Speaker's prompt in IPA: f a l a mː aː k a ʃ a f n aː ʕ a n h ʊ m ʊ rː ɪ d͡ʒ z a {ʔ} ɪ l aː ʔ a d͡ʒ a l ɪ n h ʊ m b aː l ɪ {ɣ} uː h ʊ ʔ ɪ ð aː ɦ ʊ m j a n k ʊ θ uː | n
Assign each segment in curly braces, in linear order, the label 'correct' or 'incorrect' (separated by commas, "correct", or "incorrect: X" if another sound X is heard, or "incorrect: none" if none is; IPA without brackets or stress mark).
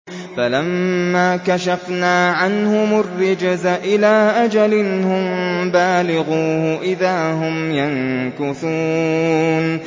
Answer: correct, correct